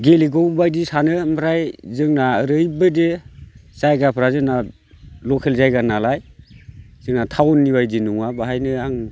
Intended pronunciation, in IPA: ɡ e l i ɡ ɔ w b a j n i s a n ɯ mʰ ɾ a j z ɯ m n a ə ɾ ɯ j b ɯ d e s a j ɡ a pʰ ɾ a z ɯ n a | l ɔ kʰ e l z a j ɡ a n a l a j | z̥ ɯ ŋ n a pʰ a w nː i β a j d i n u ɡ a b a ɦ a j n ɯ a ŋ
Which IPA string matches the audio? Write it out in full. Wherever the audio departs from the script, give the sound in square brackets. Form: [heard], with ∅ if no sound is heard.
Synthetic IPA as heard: ɡ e l i ɡ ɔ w b a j [d] i s a n ɯ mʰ ɾ a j z ɯ [ŋ] n a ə ɾ ɯ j b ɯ d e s a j ɡ a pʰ ɾ a z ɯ n a | l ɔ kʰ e l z a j ɡ a n a l a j | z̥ ɯ ŋ n a [tʰ] a w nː i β a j d i n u [ŋ] a b a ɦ a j n ɯ a ŋ